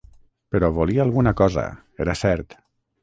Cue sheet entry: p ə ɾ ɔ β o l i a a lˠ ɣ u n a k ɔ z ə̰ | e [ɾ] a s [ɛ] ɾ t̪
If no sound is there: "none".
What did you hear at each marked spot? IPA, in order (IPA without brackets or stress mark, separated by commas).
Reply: ɾ, ɛ